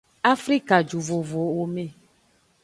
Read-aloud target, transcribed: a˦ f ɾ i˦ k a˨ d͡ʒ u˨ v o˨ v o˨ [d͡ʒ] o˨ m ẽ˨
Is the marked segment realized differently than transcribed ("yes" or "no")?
yes